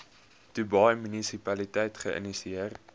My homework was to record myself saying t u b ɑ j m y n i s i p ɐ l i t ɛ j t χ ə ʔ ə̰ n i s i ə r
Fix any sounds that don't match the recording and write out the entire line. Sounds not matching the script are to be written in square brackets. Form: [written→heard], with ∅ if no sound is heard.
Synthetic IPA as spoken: t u b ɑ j m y n i s i p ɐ l i t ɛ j t χ ə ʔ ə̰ n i s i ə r

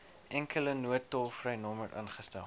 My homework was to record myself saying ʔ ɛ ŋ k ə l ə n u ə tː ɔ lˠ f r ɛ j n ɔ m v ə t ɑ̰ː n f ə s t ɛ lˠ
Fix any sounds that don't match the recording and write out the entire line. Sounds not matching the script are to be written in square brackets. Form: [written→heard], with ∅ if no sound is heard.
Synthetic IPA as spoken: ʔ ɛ ŋ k ə l ə n u ə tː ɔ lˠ f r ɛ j n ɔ m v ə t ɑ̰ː n [f→χ] ə s t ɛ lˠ

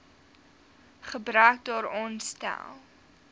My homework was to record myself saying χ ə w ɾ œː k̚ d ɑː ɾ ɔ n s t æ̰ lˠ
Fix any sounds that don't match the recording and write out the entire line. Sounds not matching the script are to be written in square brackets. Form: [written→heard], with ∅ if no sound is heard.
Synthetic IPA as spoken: χ ə [w→b] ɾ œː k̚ d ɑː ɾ ɔ n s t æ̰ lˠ

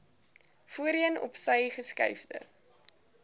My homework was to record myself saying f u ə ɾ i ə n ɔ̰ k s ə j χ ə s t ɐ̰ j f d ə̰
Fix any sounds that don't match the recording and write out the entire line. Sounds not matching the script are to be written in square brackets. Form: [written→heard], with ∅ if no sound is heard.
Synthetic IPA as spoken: f u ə ɾ i ə n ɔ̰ [k→p] s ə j χ ə s [t→k] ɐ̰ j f d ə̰

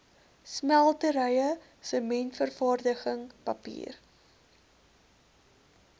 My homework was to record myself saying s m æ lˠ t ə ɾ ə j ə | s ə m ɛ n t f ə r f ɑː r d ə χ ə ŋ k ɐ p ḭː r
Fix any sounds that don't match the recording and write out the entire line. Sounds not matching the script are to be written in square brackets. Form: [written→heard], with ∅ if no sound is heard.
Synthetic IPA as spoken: s m æ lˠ t ə ɾ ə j ə | s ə m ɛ n t f ə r f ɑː r d ə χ ə ŋ [k→p] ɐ p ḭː r

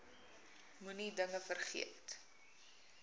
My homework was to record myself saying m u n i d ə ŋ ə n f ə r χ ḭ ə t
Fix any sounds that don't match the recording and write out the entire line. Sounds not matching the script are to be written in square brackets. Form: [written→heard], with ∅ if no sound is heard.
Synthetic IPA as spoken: m u n i d ə ŋ ə [n→∅] f ə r χ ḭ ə t

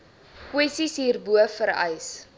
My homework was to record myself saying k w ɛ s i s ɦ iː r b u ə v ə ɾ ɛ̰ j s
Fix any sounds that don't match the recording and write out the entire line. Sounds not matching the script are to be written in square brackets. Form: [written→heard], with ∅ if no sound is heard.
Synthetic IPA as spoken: k w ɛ s i s ɦ iː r b u ə [v→f] ə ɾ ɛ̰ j s

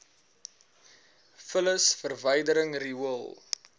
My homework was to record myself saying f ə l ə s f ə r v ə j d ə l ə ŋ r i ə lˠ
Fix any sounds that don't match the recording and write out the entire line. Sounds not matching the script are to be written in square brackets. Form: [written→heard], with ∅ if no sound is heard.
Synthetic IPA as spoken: f ə l ə s f ə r v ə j d ə [l→ɾ] ə ŋ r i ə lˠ

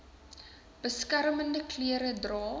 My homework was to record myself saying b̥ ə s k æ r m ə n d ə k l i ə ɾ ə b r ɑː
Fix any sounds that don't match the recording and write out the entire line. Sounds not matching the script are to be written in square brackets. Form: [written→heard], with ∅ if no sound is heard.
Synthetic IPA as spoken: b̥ ə s k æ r m ə n d ə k l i ə ɾ ə [b→d] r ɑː

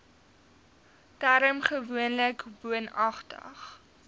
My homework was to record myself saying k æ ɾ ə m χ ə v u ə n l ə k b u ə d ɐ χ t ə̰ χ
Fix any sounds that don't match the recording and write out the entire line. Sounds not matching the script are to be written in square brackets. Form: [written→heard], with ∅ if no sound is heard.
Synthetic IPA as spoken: [k→t] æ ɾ ə m χ ə v u ə n l ə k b u ə [d→n] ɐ χ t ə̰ χ

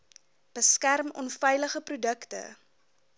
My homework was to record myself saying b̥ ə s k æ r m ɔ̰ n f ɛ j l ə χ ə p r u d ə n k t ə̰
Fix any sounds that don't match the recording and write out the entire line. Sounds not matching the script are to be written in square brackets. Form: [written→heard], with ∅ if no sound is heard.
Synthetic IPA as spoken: b̥ ə s k æ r m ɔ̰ n f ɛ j l ə χ ə p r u d ə [n→∅] k t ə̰

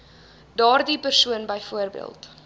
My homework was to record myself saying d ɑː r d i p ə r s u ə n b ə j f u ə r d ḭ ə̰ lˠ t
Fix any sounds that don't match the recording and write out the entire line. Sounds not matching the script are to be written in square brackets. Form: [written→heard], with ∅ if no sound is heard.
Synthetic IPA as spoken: d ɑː r d i p ə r s u ə n b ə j f u ə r [d→b] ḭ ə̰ lˠ t

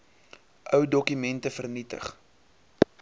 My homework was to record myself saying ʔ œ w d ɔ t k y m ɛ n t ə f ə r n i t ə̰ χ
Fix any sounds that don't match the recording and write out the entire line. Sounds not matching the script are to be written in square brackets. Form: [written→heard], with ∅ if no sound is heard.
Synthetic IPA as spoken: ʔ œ w d ɔ [t→∅] k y m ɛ n t ə f ə r n i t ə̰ χ

